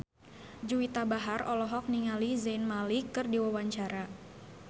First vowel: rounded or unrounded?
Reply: rounded